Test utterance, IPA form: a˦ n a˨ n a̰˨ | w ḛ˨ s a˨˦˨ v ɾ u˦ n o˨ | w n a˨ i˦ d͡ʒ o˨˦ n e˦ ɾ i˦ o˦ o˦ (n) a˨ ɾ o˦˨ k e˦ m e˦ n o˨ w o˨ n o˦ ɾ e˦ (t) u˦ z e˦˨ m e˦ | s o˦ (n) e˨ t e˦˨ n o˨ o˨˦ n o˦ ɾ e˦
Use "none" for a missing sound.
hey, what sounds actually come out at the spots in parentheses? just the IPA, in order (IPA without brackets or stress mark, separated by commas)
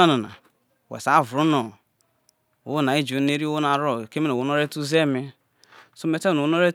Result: n, t, m